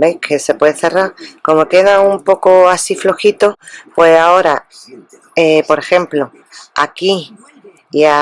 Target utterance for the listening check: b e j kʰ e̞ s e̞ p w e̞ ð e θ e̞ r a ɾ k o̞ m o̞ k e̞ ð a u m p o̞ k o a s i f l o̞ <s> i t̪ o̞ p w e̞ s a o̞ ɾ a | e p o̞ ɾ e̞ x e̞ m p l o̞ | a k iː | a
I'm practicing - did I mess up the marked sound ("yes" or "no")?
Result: yes